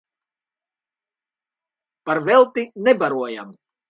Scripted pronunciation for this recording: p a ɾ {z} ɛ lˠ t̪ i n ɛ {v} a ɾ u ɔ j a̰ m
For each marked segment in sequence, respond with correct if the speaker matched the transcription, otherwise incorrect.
incorrect: v, incorrect: b

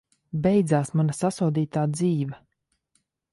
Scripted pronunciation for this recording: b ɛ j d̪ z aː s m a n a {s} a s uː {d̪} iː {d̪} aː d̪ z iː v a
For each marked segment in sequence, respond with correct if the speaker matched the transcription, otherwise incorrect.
correct, correct, incorrect: t̪

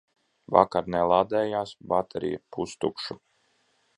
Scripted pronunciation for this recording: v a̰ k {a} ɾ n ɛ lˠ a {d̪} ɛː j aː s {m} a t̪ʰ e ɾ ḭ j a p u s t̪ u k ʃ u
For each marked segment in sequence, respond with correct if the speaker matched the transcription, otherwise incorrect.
correct, correct, incorrect: b

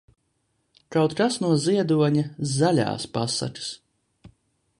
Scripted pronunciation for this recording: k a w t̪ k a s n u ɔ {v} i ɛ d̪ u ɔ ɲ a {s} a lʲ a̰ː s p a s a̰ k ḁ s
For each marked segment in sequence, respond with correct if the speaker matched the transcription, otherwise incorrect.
incorrect: z, incorrect: z

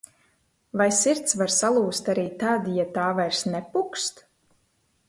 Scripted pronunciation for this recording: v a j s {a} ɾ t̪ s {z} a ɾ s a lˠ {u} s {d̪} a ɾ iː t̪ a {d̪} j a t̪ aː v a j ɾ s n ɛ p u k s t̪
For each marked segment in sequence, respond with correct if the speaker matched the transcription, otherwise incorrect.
incorrect: i, incorrect: v, incorrect: uː, incorrect: t̪, correct

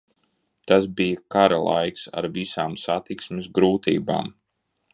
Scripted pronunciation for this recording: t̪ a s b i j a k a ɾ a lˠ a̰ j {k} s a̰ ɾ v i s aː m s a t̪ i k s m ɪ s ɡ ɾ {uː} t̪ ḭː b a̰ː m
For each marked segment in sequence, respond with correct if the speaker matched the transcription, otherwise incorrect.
correct, correct

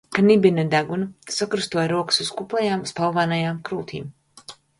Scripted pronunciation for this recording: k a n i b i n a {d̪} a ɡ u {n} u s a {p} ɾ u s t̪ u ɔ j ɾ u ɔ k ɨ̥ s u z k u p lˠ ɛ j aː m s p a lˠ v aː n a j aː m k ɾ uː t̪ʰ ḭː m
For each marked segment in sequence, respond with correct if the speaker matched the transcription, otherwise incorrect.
correct, correct, incorrect: k

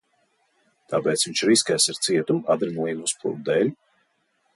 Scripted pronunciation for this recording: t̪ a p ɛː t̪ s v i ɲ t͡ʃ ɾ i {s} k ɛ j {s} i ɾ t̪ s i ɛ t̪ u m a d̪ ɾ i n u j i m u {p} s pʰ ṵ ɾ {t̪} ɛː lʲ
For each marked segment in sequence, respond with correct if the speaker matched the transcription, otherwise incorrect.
correct, correct, incorrect: none, incorrect: d̪

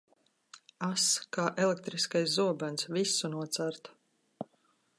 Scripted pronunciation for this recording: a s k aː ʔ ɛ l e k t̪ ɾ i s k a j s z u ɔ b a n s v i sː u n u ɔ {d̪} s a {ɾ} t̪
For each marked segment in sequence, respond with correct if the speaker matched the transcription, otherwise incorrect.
incorrect: t̪, correct

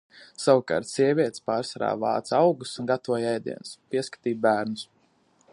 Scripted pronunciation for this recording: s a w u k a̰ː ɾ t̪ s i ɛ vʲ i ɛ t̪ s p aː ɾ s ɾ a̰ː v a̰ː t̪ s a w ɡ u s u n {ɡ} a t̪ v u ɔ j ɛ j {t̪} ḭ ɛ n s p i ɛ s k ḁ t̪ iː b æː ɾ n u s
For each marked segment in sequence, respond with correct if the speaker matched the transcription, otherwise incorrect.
correct, incorrect: d̪

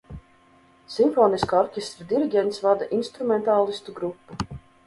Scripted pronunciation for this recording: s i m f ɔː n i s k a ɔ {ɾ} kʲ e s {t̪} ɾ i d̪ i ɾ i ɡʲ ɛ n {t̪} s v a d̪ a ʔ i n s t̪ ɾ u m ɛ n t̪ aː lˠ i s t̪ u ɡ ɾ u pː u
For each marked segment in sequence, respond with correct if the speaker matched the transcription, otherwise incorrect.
correct, correct, correct

